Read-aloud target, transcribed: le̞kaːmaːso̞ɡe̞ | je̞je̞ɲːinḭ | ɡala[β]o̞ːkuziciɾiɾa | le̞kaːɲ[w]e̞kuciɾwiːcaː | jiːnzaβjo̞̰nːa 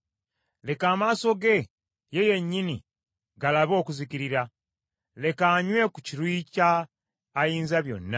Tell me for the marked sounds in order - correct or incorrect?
correct, correct

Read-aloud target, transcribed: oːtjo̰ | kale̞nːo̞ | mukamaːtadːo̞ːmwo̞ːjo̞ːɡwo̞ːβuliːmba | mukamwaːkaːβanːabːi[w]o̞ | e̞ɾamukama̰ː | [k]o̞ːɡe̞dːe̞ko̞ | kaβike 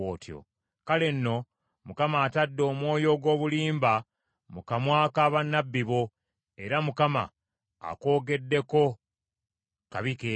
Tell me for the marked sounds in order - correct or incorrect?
incorrect: β, correct

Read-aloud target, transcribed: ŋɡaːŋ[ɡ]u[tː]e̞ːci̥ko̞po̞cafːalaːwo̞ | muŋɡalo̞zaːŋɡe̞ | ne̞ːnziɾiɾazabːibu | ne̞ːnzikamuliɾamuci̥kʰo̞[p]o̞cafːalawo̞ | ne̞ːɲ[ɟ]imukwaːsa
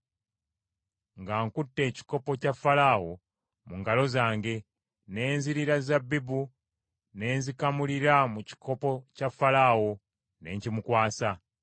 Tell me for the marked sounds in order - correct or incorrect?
incorrect: k, correct, correct, incorrect: c

